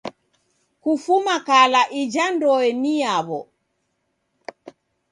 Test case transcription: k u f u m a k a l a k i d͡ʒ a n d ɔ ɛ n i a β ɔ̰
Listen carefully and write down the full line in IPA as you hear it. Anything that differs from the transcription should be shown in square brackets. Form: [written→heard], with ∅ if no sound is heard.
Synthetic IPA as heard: k u f u m a k a l a [k→ʔ] i d͡ʒ a n d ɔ ɛ n i a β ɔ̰